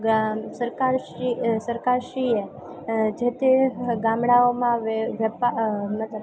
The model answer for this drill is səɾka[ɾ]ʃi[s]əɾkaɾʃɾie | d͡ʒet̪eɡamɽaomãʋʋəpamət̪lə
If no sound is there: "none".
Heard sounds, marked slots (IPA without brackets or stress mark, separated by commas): ɾ, s